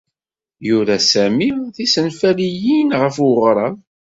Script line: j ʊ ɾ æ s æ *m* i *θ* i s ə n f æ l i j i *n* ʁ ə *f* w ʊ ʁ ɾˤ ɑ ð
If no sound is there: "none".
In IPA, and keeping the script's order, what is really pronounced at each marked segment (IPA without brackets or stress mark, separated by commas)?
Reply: m, θ, n, f